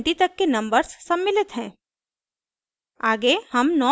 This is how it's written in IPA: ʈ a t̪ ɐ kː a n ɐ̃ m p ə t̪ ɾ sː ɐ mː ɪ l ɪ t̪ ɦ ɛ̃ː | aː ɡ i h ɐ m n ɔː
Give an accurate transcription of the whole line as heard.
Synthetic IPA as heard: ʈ i t̪ ɐ kː e n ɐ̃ m b ə ɾ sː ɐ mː ɪ l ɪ t̪ ɦ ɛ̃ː | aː ɡ e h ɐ m n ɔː